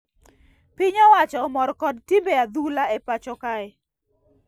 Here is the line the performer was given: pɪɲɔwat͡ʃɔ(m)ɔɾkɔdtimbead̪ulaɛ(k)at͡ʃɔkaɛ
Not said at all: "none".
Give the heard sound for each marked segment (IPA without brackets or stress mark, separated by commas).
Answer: m, p